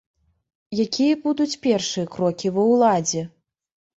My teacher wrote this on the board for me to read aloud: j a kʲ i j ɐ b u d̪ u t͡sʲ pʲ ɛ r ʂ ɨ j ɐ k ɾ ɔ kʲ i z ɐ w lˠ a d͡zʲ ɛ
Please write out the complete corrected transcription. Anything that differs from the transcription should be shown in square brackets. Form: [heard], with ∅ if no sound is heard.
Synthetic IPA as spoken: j a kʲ i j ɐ b u d̪ u t͡sʲ pʲ ɛ r ʂ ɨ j ɐ k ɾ ɔ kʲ i [v] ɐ w lˠ a d͡zʲ ɛ